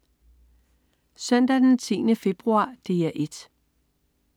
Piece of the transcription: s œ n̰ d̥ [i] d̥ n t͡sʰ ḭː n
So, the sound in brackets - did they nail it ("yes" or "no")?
no